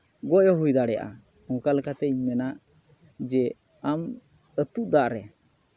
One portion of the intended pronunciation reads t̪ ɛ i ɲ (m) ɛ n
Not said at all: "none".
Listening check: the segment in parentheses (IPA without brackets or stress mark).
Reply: m